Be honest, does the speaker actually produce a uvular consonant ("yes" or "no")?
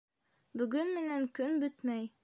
no